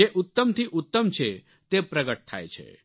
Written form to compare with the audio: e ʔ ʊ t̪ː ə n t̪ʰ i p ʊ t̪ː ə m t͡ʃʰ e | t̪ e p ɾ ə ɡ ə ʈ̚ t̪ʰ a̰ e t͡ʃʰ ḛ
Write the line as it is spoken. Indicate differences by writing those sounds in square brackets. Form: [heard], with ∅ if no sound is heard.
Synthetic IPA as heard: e ʔ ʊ t̪ː ə [m] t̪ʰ i [ʔ] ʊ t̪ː ə m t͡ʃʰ e | t̪ e p ɾ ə ɡ ə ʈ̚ t̪ʰ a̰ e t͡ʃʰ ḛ